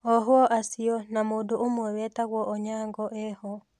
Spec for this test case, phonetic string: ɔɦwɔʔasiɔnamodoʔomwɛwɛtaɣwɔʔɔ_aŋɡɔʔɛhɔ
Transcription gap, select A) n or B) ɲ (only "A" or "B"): B